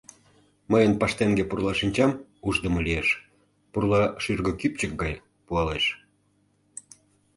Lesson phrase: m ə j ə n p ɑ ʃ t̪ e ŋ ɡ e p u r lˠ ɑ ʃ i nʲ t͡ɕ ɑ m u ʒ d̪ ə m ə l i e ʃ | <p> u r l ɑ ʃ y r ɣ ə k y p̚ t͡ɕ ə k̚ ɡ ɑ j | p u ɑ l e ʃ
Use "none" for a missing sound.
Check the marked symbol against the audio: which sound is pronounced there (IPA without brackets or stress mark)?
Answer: p